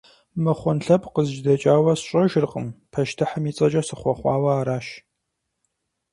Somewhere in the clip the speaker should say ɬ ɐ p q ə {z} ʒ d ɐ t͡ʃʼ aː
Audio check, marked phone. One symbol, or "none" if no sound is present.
z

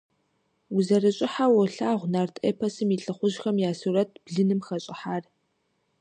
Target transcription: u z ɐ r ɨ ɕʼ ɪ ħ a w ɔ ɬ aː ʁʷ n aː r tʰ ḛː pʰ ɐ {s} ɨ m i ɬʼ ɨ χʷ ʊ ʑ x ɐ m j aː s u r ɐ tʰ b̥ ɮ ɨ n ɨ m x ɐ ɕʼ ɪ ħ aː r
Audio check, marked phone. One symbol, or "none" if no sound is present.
s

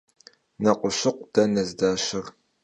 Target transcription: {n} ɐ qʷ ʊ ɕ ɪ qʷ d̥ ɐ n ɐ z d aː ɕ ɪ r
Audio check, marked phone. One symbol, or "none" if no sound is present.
n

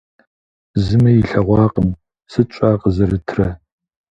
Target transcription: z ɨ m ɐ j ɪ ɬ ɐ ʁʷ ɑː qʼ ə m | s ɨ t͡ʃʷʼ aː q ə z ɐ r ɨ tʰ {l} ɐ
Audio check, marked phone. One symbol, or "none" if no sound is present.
r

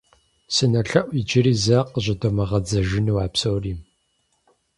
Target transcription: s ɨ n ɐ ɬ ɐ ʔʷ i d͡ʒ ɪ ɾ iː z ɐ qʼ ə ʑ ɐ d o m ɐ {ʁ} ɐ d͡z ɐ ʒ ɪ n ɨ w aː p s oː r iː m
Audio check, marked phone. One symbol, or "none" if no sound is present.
ʁ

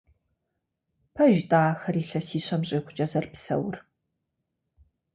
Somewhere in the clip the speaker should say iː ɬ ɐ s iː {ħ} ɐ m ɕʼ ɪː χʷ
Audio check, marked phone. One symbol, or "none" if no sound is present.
ɕ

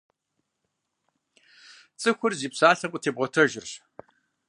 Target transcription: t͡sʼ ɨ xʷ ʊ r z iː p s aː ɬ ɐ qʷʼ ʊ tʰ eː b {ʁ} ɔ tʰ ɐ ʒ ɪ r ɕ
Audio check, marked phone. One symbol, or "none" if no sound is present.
ʁ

